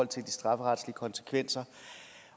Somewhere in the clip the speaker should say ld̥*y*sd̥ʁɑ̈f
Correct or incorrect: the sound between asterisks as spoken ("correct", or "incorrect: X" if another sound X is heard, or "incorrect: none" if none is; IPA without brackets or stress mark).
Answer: incorrect: i